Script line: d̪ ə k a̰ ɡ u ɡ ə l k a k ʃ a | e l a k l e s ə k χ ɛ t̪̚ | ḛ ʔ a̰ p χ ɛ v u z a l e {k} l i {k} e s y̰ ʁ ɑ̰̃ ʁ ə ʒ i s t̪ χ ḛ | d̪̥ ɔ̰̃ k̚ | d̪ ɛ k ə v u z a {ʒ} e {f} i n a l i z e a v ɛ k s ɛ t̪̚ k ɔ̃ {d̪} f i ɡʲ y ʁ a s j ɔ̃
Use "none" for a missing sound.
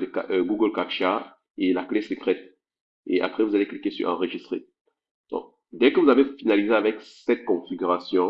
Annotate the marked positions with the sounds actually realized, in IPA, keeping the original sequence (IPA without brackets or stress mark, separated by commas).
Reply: k, k, v, f, none